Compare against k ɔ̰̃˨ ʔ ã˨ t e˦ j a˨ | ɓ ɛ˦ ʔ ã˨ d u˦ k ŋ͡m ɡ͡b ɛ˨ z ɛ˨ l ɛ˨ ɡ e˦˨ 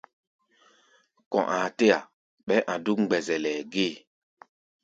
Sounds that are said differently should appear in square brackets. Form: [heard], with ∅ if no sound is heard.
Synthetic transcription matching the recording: k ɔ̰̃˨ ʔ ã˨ t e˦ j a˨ | ɓ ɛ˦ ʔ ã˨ d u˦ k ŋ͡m ɡ͡b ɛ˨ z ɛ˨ l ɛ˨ ɡ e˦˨

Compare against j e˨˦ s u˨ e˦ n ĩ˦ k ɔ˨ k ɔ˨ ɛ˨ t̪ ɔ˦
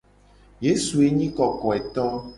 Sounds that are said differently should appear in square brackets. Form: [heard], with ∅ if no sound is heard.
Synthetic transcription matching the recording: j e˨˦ s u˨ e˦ [ɲ] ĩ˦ k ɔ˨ k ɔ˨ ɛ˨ t̪ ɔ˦

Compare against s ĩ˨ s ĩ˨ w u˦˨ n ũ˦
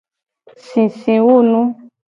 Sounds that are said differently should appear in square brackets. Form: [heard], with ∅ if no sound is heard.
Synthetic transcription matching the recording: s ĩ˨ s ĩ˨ w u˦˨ n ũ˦

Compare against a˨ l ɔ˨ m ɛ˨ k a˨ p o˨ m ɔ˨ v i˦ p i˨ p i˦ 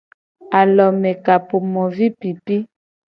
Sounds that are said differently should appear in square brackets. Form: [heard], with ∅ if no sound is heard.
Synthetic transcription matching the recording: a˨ l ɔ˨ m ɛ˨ k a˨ p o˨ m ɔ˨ v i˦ p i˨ p i˦

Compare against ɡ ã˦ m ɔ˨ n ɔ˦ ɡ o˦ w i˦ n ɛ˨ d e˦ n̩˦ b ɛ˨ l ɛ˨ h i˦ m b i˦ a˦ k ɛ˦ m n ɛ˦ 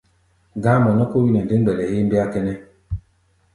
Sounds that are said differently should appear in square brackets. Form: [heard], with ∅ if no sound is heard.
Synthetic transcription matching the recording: ɡ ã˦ m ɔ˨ n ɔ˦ [k] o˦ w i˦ n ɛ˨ d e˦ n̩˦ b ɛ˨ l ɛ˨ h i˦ m b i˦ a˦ k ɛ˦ [∅] n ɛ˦

